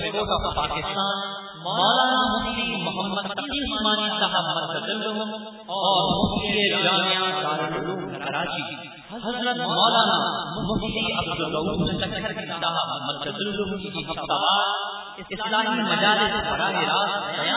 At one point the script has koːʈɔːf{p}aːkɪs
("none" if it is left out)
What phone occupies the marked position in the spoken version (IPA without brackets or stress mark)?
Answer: p